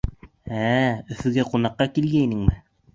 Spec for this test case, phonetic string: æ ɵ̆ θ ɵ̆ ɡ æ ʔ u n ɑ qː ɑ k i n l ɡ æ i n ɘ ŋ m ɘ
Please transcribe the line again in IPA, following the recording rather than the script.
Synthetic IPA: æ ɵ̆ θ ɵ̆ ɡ æ q u n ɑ qː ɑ k i l ɡ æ i n ɘ ŋ m ɘ